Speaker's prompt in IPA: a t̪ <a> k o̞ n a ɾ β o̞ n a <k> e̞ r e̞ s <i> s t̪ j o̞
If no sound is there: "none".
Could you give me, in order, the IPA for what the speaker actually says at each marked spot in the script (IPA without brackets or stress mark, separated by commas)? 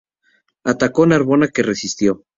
a, k, i